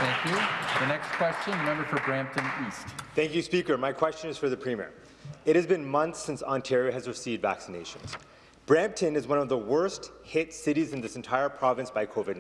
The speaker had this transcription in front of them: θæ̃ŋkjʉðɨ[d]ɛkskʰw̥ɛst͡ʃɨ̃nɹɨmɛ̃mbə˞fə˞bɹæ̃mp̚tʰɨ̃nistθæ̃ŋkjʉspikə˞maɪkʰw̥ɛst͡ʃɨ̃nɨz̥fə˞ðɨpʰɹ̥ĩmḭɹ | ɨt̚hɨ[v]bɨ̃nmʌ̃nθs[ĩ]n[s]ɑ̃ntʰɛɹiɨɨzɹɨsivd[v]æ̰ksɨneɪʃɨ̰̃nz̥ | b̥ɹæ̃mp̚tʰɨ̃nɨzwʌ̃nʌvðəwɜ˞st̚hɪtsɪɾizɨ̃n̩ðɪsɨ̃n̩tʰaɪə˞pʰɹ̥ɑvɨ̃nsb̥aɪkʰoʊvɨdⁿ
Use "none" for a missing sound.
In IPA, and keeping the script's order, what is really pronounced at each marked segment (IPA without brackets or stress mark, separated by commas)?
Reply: n, z, ɪ̃, s, v